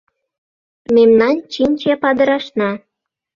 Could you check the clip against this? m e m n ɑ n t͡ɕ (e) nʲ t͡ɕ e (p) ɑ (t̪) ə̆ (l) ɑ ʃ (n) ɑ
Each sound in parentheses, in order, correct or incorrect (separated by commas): incorrect, correct, incorrect, incorrect, correct